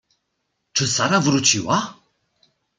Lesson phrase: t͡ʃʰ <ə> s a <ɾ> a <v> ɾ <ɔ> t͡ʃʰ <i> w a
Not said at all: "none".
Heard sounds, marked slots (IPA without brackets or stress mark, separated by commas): ə, ɾ, v, u, i